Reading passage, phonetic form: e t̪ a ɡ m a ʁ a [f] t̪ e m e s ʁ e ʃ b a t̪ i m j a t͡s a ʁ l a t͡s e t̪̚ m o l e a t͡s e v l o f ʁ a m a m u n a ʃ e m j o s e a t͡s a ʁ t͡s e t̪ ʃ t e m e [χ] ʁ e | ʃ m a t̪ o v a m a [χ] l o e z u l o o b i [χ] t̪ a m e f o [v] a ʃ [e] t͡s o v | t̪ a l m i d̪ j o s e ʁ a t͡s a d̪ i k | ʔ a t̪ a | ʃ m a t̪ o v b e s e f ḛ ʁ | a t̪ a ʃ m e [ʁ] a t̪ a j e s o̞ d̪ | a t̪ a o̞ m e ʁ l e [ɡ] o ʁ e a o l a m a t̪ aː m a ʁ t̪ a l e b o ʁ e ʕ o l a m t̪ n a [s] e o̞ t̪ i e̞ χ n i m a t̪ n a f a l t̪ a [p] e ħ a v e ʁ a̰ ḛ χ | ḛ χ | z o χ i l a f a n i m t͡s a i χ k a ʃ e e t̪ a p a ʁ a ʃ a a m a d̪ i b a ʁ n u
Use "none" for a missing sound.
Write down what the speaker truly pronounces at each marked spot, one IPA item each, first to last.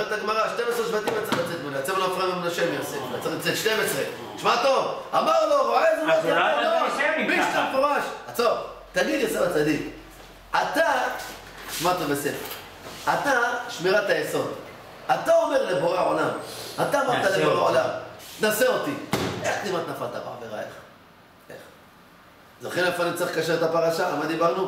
ʃ, s, ʁ, ʃ, ʁ, a, ʁ, b, s, b

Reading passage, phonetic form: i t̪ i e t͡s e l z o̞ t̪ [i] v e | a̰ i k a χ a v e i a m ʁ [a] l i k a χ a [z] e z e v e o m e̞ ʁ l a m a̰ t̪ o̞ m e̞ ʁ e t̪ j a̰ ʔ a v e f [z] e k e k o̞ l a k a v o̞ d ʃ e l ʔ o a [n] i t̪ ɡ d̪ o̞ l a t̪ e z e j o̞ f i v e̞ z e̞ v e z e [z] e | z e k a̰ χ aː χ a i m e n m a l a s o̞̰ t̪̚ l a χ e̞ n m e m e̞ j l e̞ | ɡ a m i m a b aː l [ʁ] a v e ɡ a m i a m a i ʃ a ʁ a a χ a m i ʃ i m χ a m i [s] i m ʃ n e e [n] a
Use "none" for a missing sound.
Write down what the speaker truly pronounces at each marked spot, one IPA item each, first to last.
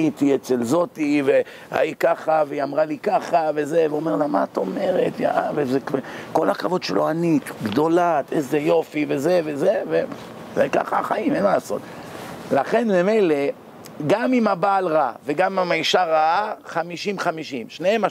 i, a, v, z, n, v, ʁ, ʃ, m

